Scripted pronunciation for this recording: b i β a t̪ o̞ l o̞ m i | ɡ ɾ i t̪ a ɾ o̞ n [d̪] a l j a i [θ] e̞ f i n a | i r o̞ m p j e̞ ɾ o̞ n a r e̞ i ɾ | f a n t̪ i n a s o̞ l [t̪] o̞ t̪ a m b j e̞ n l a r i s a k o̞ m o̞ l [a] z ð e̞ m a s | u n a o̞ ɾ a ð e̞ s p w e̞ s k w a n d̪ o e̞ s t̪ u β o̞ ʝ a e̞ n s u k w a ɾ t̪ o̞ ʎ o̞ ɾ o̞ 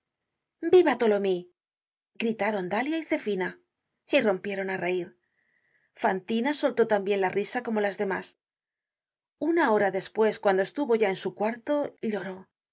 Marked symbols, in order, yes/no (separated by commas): yes, yes, yes, yes